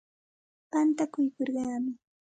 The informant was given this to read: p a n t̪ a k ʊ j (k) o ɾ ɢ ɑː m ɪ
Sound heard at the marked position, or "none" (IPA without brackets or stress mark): k